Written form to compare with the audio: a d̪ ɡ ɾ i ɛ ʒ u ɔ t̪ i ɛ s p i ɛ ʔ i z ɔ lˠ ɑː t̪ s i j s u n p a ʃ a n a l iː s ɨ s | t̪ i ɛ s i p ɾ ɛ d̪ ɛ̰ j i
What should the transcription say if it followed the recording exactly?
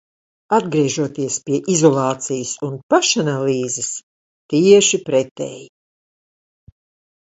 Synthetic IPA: a d̪ ɡ ɾ i ɛ ʒ u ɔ t̪ i ɛ s p i ɛ ʔ i z ɔ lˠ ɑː t̪ s i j s u n p a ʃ a n a l iː z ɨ s | t̪ i ɛ ʃ i p ɾ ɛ t̪ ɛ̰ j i